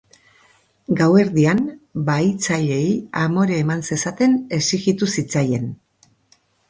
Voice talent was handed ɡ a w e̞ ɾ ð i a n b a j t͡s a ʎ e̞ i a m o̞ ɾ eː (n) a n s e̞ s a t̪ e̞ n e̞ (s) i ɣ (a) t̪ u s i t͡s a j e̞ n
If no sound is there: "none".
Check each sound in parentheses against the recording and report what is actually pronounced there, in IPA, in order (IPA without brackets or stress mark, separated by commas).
m, s, i